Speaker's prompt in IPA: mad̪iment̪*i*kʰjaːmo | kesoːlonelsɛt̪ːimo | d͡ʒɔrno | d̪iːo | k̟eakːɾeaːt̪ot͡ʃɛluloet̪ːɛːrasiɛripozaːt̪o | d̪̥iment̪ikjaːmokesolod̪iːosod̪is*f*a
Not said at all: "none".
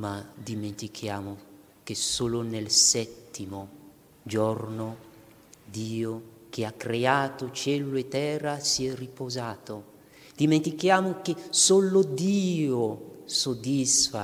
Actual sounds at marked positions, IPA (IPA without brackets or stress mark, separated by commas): i, f